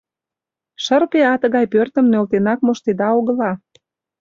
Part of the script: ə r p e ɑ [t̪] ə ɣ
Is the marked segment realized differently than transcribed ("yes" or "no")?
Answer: no